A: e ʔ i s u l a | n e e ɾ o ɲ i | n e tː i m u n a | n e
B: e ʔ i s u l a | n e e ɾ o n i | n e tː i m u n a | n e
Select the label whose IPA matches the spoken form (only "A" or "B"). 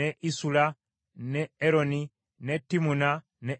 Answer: B